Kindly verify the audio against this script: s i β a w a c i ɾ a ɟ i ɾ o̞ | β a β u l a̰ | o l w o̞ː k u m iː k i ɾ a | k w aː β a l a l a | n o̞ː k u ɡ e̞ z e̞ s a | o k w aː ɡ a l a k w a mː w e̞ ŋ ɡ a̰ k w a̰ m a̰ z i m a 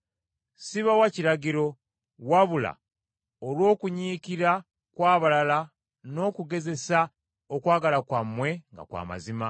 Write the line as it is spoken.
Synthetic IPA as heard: s i β a w a c i ɾ a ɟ i ɾ o̞ | w a β u l a̰ | o l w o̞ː k u ɲ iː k i ɾ a | k w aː β a l a l a | n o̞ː k u ɡ e̞ z e̞ s a | o k w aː ɡ a l a k w a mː w e̞ ŋ ɡ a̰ k w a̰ m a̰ z i m a